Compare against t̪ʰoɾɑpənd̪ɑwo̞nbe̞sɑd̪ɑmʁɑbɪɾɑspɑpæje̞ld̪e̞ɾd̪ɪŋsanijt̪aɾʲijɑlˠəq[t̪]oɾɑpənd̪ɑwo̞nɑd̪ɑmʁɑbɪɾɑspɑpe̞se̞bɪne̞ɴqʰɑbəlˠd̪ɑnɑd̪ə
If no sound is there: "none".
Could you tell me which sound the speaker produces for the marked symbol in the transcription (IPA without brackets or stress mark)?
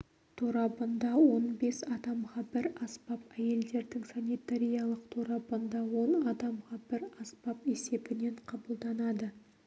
t̪ʰ